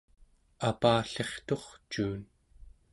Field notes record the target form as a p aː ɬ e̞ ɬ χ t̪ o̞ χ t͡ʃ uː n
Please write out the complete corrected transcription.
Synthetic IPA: a p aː ɬ e̞ χ t̪ o̞ χ t͡ʃ uː n